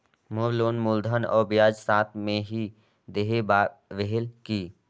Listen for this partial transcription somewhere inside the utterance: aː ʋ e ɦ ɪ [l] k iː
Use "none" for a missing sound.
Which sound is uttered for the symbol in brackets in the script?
l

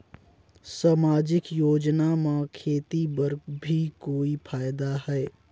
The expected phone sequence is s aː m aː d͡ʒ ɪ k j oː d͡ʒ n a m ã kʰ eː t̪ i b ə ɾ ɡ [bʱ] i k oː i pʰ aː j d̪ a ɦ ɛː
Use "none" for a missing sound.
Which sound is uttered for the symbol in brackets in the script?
bʱ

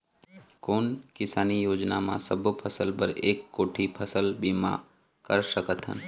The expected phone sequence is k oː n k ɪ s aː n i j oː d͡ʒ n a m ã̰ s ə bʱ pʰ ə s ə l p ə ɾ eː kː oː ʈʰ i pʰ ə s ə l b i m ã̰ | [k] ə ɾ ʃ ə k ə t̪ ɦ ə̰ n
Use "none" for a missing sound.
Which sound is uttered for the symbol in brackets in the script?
k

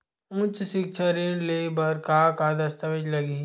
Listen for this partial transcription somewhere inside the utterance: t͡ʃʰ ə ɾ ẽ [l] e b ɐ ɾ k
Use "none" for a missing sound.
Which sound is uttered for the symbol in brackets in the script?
l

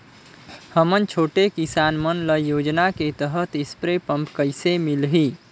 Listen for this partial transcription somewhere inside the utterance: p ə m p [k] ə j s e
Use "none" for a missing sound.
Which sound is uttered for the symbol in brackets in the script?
k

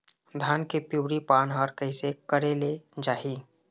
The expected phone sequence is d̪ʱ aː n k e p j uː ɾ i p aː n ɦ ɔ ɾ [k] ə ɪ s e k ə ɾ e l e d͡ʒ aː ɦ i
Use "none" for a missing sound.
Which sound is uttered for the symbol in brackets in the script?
k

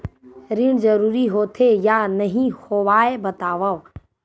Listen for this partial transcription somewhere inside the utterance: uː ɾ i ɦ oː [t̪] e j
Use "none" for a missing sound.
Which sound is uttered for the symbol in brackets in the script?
t̪ʰ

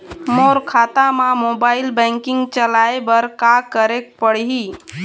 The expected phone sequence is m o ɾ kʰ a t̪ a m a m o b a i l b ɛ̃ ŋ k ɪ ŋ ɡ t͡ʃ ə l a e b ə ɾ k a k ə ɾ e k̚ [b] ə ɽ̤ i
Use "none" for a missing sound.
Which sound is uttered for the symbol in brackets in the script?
p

